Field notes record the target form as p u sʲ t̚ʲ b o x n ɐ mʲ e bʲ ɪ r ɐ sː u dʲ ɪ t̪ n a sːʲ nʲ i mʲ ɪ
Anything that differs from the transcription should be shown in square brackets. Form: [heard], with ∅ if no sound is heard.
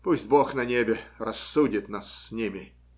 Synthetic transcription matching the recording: p u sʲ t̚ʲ b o x n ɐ [nʲ] e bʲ ɪ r ɐ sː u dʲ ɪ t̪ n a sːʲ nʲ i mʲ ɪ